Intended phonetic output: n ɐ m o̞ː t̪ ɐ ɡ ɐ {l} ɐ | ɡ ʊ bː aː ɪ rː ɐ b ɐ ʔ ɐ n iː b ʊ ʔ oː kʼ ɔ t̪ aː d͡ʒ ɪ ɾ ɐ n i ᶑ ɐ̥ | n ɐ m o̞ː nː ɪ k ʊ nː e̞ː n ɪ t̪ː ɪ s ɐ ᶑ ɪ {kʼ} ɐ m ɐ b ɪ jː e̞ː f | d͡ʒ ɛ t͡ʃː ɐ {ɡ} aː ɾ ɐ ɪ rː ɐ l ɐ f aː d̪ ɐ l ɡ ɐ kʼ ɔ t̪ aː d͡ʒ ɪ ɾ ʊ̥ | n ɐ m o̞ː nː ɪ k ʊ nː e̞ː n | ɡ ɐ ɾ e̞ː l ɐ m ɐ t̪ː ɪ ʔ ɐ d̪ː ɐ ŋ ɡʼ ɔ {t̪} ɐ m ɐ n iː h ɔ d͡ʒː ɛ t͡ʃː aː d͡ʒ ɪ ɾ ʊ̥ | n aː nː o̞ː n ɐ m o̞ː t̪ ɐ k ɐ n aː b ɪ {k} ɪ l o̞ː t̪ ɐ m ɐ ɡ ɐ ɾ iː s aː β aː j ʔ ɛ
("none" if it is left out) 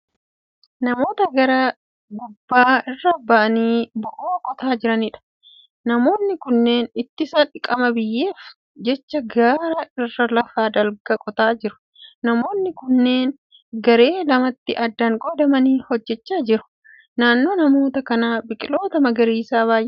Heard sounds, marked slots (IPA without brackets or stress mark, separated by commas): ɾ, kʼ, ɡ, d̪, kʼ